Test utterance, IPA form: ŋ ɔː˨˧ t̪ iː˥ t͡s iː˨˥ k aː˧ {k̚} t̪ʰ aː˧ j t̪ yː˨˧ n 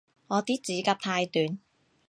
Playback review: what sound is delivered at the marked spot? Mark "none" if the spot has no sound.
p̚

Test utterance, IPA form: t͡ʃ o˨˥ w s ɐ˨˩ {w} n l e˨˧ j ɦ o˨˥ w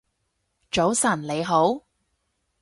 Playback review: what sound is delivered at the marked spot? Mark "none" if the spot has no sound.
none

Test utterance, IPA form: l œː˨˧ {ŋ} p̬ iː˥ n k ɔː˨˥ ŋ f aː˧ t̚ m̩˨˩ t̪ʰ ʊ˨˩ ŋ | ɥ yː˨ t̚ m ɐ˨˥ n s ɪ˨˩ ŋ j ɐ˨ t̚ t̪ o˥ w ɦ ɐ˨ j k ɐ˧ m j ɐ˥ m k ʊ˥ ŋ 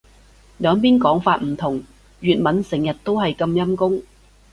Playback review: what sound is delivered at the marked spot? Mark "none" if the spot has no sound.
ŋ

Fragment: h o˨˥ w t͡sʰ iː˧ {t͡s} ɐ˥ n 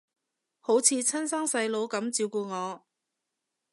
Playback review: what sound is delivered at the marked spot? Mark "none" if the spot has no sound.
t͡sʰ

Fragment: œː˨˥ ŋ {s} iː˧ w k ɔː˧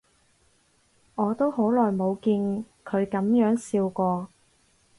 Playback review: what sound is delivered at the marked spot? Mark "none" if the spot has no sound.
s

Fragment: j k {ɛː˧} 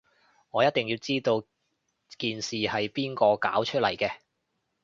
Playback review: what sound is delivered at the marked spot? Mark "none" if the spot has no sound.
ɛː˧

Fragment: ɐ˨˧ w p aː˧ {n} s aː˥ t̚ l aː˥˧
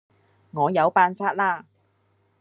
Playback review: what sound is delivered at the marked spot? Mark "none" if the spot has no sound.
n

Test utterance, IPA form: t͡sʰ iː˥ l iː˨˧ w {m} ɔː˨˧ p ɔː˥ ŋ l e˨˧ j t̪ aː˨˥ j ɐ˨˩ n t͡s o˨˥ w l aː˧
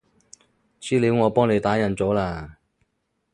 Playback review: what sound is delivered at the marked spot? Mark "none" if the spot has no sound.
ŋ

